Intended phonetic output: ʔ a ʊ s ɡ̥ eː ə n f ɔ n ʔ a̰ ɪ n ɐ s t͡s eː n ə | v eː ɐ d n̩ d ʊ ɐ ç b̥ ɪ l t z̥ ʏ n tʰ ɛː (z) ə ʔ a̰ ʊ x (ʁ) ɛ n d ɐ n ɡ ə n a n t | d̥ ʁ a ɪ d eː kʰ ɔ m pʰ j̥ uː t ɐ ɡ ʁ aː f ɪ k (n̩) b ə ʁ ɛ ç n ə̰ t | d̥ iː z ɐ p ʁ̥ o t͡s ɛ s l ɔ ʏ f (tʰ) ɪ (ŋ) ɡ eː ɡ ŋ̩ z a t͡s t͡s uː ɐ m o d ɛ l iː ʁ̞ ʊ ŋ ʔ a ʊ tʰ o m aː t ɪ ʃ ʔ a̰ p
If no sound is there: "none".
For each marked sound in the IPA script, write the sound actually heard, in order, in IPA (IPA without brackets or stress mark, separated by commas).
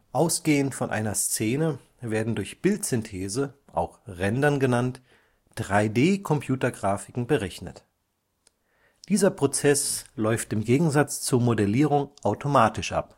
z, ʁ, ŋ̩, t, m